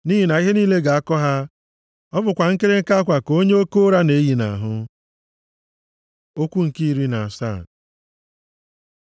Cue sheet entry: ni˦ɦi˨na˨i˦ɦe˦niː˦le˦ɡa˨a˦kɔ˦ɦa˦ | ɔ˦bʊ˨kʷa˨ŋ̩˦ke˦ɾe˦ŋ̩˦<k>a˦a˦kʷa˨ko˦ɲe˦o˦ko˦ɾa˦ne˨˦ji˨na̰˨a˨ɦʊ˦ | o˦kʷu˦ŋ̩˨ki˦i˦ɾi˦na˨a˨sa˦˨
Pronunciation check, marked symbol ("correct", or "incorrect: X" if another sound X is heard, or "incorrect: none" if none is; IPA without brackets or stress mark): correct